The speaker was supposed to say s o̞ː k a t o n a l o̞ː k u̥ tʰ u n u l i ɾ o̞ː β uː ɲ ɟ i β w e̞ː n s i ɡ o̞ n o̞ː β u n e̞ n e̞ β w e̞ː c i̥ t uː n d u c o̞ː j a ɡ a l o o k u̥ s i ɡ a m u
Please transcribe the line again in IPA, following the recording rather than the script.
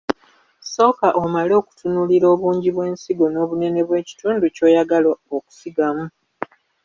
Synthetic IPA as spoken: s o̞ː k a ʔ o m a l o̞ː k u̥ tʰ u n u l i ɾ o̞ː β uː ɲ ɟ i β w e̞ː n s i ɡ o̞ n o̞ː β u n e̞ n e̞ β w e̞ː c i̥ t uː n d u c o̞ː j a ɡ a l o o k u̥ s i ɡ a m u